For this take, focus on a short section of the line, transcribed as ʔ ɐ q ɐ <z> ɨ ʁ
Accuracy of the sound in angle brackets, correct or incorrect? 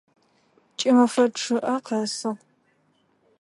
incorrect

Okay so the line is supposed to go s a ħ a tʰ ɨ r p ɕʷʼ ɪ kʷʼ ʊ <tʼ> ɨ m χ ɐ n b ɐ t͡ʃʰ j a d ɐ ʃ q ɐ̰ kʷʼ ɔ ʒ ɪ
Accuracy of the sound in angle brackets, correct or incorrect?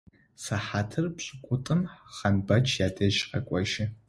correct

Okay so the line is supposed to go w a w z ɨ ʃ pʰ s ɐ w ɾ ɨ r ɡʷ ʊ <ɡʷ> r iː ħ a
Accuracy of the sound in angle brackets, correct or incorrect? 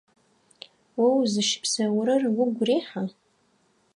correct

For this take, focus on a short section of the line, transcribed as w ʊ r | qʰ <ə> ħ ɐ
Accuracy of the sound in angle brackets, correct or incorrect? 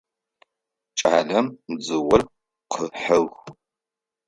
correct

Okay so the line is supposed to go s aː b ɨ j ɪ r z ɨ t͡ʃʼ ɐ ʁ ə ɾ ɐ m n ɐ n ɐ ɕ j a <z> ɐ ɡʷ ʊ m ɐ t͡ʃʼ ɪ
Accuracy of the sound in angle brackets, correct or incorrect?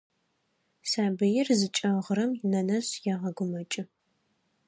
incorrect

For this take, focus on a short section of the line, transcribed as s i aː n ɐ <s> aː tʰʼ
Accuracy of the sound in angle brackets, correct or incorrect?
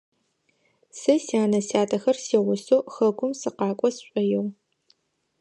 correct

